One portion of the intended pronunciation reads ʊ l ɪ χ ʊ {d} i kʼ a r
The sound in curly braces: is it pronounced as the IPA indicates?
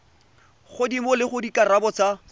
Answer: yes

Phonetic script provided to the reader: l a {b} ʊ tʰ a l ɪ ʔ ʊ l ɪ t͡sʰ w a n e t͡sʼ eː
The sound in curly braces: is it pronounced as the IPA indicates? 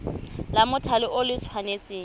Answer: no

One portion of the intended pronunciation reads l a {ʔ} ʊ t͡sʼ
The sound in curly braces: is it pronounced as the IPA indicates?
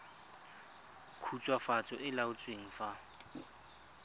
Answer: no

